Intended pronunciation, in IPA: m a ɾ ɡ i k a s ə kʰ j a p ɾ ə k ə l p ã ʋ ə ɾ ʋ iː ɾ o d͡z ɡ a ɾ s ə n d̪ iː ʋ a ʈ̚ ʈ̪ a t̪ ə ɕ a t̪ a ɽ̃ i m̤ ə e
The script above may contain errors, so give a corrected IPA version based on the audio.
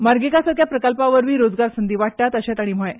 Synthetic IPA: m a ɾ ɡ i k a s ə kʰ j a p ɾ ə k ə l p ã ʋ ə ɾ ʋ iː ɾ o d͡z ɡ a ɾ s ə n d̪ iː ʋ a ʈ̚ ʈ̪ a t̪ ə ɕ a t̪ a ɽ̃ i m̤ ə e